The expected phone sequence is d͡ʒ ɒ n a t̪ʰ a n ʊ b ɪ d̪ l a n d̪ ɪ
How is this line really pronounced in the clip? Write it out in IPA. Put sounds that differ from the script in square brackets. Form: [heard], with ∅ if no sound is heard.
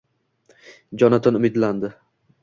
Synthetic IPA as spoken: d͡ʒ ɒ n a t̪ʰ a n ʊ [m] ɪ d̪ l a n d̪ ɪ